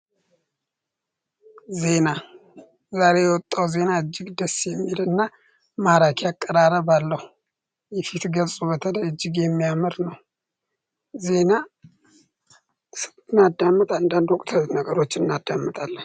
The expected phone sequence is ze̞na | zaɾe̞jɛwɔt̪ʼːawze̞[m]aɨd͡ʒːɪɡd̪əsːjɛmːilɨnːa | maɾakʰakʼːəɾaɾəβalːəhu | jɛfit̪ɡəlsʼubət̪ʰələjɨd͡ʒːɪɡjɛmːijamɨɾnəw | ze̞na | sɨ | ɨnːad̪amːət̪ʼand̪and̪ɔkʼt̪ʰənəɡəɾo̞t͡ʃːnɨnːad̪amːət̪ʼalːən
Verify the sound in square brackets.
incorrect: n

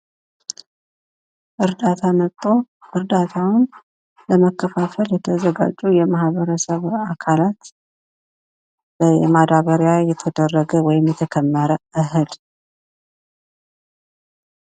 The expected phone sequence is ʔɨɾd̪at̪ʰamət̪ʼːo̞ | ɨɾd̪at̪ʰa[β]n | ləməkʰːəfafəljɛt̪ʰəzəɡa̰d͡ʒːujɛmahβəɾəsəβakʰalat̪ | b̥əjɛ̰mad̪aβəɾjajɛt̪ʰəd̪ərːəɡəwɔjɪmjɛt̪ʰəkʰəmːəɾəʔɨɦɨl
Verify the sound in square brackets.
incorrect: w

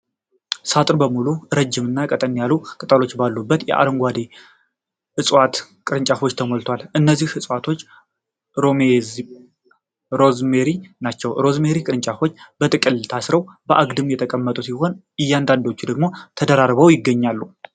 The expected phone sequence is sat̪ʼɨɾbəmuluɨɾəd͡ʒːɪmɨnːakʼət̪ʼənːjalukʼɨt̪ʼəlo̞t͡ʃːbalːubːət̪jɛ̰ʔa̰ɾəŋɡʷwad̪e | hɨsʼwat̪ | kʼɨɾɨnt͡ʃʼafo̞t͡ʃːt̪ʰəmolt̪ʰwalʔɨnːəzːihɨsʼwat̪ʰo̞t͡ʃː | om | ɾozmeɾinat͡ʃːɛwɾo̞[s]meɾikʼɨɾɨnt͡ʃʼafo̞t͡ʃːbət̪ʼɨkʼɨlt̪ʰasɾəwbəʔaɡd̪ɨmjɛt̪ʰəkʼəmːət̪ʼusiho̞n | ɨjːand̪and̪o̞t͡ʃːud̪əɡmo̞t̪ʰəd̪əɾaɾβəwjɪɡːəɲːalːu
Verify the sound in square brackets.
incorrect: z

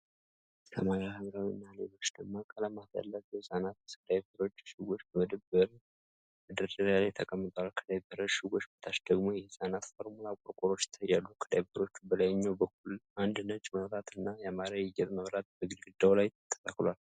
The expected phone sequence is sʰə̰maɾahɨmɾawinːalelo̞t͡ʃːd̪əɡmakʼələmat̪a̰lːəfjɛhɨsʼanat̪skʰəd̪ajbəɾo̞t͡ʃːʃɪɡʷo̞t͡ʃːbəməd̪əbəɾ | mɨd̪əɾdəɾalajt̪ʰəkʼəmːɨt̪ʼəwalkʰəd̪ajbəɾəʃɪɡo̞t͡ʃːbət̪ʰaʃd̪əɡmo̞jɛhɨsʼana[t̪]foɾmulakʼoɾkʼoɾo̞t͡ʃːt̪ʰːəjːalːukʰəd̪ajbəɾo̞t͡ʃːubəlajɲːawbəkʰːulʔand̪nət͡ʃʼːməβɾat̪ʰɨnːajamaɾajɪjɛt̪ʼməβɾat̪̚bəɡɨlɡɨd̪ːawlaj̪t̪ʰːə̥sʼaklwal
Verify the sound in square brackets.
correct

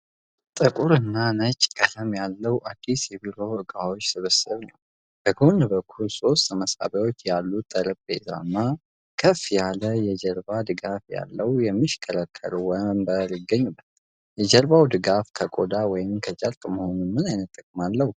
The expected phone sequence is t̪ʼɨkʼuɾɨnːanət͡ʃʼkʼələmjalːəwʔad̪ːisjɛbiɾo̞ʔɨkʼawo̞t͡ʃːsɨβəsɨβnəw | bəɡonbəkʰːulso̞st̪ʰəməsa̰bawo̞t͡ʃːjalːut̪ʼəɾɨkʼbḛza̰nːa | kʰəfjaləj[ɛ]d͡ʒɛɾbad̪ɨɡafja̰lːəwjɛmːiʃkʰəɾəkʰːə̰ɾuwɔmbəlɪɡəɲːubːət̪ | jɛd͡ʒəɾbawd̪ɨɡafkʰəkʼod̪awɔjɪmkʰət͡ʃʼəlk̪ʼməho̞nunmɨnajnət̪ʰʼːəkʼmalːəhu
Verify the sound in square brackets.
correct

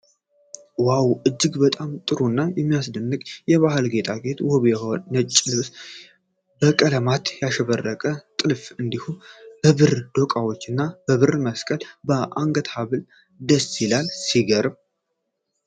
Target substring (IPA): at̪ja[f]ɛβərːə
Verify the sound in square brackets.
incorrect: ʃ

